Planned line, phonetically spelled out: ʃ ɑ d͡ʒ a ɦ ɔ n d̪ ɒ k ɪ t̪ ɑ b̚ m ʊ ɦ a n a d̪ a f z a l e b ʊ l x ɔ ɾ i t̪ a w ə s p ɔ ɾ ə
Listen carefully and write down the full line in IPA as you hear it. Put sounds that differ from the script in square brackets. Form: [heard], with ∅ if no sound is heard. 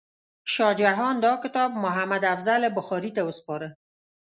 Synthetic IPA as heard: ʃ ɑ d͡ʒ a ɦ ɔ n d̪ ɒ k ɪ t̪ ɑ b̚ m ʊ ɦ a [m] a d̪ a f z a l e b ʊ [∅] x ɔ ɾ i t̪ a w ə s p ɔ ɾ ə